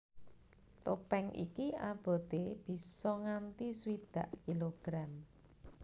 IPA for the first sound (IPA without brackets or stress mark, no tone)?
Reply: t̪